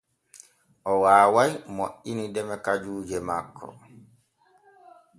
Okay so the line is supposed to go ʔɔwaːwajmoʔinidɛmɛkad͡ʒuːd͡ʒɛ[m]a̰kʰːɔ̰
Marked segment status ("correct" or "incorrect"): correct